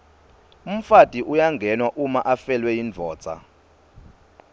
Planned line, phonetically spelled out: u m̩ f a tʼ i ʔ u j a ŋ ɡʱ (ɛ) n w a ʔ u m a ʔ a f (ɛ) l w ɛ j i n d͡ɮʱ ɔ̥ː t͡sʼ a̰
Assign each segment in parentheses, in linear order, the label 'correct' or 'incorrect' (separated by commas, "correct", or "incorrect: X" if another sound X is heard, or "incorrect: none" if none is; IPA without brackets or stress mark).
correct, correct